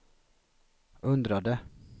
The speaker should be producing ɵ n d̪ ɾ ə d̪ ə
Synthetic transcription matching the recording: ɵ n d̪ ɾ a d̪ ə